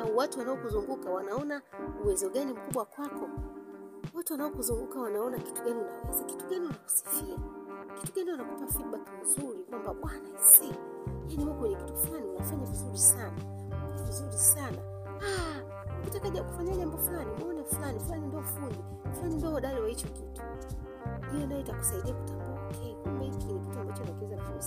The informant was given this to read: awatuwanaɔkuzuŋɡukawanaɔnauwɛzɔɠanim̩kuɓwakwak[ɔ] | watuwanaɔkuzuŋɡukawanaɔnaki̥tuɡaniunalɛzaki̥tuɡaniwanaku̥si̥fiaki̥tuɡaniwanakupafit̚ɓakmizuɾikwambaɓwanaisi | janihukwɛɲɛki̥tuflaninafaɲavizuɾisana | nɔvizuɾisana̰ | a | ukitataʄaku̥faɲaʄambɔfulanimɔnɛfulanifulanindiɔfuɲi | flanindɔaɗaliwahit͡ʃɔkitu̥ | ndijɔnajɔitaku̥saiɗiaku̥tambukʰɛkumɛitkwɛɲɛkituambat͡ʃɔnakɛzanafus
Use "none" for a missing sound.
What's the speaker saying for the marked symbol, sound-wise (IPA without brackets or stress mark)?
ɔ